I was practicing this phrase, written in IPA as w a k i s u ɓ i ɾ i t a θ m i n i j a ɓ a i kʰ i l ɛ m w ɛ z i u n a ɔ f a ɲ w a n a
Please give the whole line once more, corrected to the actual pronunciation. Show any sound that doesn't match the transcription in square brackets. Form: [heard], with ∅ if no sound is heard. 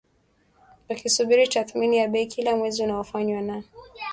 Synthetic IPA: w a k i s u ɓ i ɾ i t a θ m i n i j a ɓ [ɛ] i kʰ i l [a] m w ɛ z i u n a ɔ f a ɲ w a n a